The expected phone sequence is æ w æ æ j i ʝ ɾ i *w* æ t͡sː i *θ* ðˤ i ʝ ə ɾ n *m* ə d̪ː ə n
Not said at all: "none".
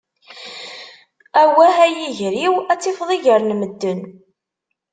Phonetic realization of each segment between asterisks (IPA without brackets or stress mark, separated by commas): w, f, m